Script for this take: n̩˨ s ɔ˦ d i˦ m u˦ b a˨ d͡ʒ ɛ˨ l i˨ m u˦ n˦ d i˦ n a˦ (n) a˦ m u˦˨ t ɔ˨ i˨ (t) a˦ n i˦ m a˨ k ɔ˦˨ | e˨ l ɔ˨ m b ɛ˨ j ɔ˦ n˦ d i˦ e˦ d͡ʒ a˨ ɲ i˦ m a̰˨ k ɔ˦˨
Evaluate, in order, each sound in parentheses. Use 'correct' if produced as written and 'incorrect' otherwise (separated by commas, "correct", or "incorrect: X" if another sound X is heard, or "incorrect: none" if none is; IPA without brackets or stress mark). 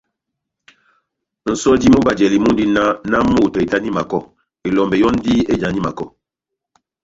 correct, correct